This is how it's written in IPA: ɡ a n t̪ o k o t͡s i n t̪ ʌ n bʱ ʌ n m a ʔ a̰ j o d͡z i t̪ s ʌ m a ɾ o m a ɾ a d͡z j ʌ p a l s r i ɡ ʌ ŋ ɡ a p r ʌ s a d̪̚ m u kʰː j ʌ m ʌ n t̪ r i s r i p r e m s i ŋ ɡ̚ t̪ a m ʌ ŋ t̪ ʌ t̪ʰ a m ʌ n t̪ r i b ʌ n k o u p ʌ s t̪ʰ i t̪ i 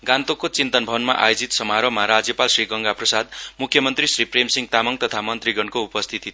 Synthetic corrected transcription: ɡ a n t̪ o k o t͡s i n t̪ ʌ n bʱ ʌ n m a ʔ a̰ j o d͡z i t̪ s ʌ m a ɾ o m a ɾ a d͡z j ʌ p a l s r i ɡ ʌ ŋ ɡ a p r ʌ s a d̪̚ m u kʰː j ʌ m ʌ n t̪ r i s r i p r e m s i ŋ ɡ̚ t̪ a m ʌ ŋ t̪ ʌ t̪ʰ a m ʌ n t̪ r i ɡ ʌ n k o u p ʌ s t̪ʰ i t̪ i